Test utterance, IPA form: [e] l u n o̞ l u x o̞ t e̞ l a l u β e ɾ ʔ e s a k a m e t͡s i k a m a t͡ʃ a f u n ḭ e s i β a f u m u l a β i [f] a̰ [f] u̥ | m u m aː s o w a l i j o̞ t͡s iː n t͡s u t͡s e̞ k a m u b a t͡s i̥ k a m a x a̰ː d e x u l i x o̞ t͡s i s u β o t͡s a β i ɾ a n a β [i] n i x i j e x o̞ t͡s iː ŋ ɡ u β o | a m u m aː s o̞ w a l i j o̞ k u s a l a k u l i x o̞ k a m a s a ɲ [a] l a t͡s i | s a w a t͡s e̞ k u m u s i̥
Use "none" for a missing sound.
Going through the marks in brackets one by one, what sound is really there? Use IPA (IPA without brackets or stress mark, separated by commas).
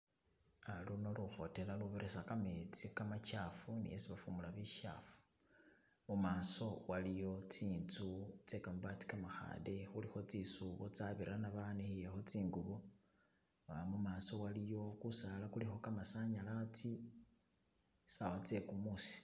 a, ʃ, f, a, a